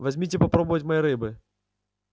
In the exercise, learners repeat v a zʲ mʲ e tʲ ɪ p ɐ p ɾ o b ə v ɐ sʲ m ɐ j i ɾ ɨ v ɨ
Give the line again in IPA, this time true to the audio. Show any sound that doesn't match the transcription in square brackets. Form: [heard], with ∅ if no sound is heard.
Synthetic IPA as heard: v [ɐ] zʲ mʲ [i] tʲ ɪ p ɐ p ɾ o b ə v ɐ [tʲ] m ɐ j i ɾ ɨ [b] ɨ